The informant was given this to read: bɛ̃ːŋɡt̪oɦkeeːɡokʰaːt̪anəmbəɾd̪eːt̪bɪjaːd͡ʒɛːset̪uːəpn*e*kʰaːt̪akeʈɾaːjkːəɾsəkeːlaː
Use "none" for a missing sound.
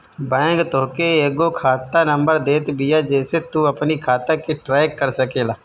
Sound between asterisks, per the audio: i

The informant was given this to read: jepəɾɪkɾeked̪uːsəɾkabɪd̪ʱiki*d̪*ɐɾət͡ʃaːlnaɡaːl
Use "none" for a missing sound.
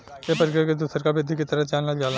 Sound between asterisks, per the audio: t̪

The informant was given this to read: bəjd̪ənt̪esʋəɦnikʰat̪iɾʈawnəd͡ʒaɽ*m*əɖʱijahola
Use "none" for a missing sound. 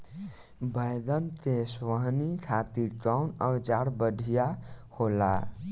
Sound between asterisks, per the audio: b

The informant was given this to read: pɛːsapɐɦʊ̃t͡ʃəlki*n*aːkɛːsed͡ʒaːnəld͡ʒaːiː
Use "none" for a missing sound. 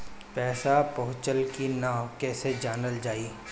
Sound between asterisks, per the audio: n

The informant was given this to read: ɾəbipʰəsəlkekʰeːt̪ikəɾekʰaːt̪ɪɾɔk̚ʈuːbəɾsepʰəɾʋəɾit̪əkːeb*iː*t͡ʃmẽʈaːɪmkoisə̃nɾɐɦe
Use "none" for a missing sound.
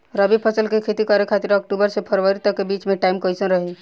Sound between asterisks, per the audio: iː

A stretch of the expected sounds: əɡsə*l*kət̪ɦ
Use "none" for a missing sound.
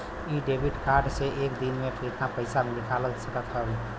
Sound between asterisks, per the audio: none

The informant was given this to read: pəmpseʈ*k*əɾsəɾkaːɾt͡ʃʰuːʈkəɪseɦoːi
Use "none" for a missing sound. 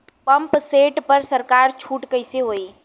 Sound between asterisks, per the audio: p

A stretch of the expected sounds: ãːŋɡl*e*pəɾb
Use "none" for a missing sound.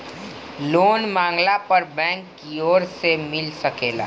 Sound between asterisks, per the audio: a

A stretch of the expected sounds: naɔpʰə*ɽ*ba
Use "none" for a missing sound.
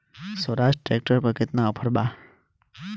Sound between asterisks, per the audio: ɾ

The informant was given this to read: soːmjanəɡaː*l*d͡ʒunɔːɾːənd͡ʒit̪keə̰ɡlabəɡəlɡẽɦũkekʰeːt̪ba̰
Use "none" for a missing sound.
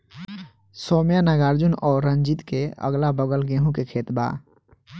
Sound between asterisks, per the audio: ɾ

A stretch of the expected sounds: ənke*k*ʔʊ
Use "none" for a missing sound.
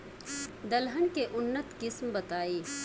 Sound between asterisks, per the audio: none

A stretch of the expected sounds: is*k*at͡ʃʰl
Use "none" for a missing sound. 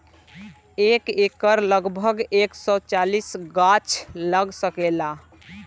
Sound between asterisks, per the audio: ɡ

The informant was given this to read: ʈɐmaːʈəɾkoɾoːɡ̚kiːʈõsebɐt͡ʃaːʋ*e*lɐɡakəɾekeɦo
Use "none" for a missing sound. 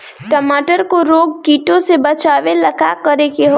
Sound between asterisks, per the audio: e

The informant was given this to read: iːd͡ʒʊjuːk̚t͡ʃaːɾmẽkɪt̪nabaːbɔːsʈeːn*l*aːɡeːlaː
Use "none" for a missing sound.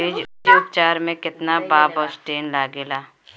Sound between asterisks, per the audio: l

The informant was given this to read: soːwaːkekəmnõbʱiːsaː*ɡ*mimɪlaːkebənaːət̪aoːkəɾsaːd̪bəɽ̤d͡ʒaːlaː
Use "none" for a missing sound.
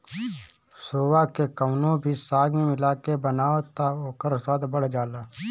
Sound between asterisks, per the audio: ɡ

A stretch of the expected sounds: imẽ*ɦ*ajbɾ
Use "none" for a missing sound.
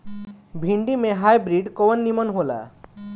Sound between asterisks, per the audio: ɦ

